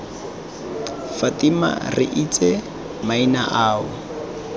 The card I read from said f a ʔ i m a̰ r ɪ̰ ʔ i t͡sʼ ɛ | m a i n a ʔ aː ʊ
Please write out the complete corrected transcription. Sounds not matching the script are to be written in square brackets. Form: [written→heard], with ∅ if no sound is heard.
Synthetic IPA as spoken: f a [ʔ→t] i m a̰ r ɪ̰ ʔ i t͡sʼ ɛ | m a i n a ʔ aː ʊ